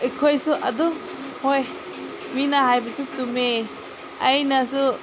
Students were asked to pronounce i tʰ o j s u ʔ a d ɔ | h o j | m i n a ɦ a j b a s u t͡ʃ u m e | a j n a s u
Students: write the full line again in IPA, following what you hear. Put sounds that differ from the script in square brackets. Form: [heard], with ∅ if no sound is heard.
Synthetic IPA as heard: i [kʰ] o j s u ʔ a d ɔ | h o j | m i n a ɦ a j b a s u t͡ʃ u m e | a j n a s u